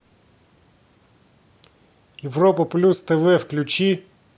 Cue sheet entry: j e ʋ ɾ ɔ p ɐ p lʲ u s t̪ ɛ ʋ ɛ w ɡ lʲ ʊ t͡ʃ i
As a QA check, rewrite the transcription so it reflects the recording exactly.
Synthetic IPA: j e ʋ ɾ ɔ p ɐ p lʲ u s t̪ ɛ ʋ ɛ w k lʲ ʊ t͡ʃ i